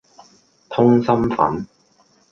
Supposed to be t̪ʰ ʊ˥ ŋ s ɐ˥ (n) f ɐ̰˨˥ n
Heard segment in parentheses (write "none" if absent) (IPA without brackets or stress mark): m